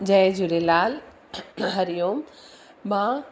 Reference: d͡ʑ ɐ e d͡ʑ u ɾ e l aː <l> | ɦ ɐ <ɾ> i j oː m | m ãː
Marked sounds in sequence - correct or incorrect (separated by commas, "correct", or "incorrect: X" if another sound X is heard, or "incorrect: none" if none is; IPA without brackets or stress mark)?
correct, correct